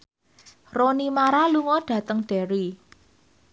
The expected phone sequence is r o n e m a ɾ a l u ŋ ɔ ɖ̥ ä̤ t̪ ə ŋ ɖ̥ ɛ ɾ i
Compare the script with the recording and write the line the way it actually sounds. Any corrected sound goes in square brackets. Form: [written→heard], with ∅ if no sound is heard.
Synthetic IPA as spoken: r o n [e→i] m a ɾ a l u ŋ ɔ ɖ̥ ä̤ t̪ ə ŋ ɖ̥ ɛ ɾ i